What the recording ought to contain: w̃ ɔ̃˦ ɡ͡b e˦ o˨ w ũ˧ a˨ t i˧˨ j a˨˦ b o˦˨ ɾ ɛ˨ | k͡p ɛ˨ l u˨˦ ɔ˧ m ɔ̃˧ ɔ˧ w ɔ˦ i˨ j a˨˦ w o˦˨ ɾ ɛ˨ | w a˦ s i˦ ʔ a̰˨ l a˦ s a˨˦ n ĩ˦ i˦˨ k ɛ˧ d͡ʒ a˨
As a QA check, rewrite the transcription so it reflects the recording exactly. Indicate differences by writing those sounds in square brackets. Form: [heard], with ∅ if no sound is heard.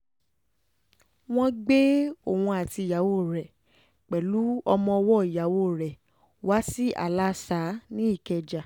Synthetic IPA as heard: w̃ ɔ̃˦ ɡ͡b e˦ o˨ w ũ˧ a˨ t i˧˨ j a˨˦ [w] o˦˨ ɾ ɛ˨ | k͡p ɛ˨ l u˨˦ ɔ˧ m ɔ̃˧ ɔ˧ w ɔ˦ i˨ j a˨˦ w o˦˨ ɾ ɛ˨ | w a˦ s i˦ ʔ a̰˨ l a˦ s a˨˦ n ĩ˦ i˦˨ k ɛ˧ d͡ʒ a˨